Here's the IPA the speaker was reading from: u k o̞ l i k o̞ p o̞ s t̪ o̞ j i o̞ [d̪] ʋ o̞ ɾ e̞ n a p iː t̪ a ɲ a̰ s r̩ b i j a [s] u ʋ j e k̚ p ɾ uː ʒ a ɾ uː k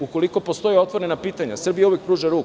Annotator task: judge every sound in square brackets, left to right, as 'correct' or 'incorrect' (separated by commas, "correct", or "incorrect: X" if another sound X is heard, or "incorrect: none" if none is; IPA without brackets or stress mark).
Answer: incorrect: t̪, incorrect: none